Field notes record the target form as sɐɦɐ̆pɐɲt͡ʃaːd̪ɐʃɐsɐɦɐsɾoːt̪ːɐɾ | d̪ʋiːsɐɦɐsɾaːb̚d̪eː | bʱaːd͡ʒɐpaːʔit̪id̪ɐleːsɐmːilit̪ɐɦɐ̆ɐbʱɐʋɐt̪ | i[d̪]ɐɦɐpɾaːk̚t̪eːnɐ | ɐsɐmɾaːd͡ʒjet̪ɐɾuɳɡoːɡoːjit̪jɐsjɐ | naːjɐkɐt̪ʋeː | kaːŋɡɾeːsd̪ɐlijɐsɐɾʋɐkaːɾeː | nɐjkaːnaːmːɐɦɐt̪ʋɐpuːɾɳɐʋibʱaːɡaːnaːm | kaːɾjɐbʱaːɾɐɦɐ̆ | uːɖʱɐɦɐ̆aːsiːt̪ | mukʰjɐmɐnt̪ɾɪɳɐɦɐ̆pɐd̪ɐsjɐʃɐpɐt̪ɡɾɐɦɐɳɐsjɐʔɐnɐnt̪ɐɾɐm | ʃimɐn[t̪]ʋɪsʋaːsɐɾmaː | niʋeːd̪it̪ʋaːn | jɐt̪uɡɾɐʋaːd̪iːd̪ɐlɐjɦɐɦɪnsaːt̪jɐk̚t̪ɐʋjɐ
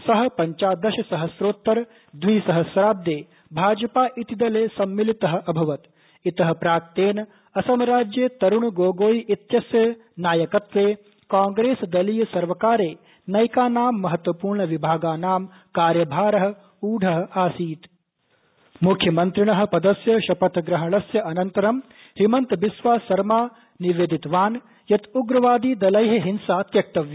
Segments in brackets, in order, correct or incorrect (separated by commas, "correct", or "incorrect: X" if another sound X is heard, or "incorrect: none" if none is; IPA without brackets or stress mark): incorrect: t̪, correct